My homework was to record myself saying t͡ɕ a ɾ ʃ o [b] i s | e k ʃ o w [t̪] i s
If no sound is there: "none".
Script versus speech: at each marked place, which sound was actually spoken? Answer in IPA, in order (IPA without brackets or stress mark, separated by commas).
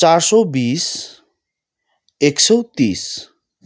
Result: b, t̪